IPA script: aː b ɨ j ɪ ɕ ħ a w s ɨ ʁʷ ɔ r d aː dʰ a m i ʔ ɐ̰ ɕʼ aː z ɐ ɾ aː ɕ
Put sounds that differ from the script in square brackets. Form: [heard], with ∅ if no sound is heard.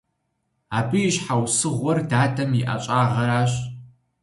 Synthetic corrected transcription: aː b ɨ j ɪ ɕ ħ a w s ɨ ʁʷ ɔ r d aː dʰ [ɐ] m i ʔ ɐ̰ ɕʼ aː [ʁ] ɐ ɾ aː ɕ